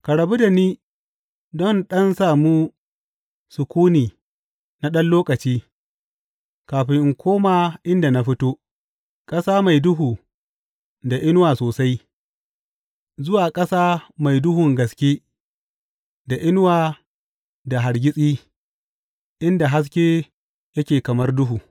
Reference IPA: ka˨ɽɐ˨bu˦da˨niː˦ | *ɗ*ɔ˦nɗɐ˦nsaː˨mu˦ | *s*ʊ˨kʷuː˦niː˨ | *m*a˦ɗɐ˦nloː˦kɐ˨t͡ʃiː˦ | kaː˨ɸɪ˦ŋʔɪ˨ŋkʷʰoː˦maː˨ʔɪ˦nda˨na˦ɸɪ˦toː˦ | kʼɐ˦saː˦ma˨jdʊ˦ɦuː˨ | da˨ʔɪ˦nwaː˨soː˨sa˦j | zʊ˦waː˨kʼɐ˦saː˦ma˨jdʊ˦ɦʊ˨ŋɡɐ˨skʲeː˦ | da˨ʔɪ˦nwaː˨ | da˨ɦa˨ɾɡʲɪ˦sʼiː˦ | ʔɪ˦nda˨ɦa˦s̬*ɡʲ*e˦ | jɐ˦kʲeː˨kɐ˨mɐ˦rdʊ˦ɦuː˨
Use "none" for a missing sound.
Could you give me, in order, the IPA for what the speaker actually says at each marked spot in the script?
d, s, n, kʲ

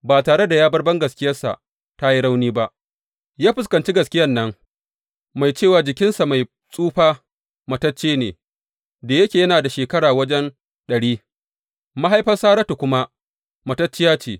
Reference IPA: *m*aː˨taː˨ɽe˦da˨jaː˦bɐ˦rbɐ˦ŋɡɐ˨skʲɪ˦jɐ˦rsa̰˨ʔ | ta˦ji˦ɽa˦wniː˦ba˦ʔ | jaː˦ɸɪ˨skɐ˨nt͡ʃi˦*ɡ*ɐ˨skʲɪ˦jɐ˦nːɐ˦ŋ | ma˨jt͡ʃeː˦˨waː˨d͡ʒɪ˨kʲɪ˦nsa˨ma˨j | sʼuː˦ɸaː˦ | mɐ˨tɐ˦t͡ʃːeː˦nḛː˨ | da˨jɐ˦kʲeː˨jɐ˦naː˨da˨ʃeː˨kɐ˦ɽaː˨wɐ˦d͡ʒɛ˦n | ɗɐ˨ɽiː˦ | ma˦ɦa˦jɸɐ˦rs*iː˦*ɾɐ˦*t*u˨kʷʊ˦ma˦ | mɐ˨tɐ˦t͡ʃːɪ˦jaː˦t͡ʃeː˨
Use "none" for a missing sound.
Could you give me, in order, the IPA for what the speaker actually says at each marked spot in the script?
b, ɡ, aː˦, t

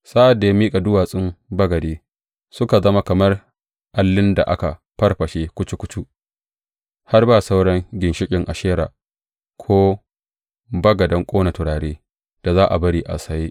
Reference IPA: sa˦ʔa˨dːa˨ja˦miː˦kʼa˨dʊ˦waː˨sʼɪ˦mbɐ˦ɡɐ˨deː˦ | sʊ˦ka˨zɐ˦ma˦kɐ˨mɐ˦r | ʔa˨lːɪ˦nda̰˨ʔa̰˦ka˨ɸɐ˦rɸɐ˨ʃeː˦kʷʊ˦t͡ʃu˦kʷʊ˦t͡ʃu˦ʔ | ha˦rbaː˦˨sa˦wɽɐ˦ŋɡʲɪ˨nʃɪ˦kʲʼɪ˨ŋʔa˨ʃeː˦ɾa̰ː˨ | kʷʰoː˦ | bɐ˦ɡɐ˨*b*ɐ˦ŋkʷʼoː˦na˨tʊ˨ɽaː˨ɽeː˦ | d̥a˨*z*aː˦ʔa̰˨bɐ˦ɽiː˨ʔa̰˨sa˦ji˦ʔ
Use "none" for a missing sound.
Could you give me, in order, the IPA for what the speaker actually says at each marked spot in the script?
d, z

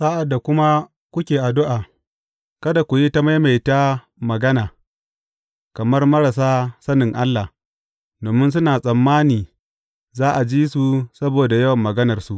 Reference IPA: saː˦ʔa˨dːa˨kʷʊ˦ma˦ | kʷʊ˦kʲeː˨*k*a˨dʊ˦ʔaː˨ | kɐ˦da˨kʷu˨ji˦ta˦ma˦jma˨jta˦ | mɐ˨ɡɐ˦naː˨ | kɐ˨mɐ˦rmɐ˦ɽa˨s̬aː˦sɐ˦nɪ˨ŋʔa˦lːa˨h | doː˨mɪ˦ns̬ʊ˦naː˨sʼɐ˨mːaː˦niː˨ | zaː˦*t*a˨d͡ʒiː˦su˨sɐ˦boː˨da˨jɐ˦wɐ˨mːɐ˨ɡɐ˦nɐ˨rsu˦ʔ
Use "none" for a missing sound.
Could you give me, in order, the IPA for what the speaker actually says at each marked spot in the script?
ʔ, ʔ

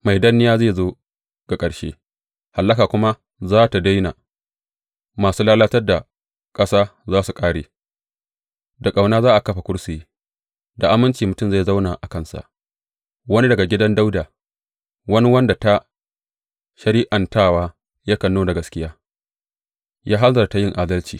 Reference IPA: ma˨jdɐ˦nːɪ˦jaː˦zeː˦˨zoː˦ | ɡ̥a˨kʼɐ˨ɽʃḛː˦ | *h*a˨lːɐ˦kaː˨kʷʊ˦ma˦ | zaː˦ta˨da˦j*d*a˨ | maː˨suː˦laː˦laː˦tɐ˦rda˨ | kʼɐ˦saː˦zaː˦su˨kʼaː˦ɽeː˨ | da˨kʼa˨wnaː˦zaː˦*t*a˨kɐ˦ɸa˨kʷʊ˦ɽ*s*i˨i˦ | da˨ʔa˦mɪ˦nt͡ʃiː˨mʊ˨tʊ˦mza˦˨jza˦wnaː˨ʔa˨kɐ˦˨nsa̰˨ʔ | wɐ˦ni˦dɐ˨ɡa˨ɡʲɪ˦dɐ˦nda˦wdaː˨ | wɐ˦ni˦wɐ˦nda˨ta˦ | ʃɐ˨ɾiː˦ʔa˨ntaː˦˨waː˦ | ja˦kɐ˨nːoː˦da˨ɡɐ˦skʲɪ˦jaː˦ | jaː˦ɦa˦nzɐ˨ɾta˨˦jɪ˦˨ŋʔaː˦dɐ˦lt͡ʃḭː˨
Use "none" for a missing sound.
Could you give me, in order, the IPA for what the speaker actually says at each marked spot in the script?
h, n, ʔ, s

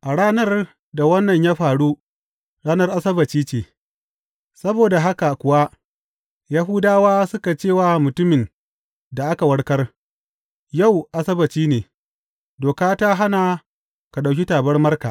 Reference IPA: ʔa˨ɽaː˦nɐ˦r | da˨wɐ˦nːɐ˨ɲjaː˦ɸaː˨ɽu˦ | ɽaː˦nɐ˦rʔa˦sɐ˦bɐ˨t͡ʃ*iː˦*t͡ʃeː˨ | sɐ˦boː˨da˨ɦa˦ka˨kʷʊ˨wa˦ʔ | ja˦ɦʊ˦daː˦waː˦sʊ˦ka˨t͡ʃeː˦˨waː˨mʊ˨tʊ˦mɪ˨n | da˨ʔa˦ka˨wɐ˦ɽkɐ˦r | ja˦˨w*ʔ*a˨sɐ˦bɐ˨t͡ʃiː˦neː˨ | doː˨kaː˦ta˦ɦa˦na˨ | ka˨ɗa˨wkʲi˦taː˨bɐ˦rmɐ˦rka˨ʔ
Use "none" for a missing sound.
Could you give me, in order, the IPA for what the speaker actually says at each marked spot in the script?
iː˦, ʔ

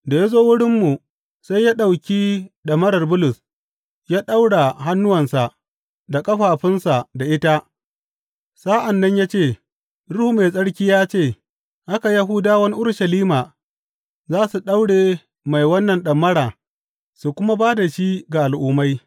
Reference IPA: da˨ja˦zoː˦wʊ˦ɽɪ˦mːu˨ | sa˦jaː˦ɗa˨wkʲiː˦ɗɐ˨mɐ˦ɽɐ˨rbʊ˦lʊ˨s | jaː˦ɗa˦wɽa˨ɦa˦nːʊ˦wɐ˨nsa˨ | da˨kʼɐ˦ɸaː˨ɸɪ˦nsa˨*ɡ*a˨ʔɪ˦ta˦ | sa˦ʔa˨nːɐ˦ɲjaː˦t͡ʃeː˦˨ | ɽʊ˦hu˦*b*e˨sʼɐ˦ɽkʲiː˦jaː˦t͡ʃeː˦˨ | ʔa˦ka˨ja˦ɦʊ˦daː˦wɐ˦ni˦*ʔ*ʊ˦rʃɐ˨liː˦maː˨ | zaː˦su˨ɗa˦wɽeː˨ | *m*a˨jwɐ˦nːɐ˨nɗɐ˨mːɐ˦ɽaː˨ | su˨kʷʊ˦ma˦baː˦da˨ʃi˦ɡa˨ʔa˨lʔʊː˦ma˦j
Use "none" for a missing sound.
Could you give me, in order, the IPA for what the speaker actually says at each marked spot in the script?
d, m, ʔ, m

